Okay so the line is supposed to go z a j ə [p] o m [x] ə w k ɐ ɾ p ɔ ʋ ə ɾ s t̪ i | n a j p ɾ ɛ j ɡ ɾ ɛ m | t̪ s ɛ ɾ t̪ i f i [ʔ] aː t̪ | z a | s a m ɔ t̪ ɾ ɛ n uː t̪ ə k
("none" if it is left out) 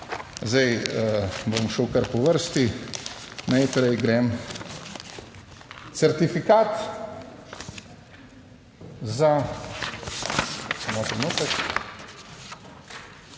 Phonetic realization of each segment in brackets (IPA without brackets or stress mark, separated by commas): b, ʃ, k